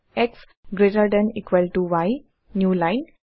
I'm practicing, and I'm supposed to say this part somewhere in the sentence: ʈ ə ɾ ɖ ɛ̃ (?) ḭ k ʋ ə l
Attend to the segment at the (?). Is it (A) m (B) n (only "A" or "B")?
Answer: B